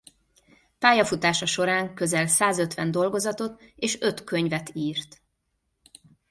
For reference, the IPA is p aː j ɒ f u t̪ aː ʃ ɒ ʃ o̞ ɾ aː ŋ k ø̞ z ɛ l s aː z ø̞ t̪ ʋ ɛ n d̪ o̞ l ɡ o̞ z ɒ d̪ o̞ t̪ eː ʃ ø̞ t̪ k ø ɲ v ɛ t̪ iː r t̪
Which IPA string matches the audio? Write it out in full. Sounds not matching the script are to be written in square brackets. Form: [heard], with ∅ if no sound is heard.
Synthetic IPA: p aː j ɒ f u t̪ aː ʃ ɒ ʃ o̞ ɾ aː ŋ k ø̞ z ɛ l s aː z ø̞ t̪ ʋ ɛ n d̪ o̞ l ɡ o̞ z ɒ [t̪] o̞ t̪ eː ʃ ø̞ t̪ k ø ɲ v ɛ t̪ iː r t̪